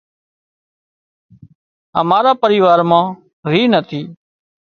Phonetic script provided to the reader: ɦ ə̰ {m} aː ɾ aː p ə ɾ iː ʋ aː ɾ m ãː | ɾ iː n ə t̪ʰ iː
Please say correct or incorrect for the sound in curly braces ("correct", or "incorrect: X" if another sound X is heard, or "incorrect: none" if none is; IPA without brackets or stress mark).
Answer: correct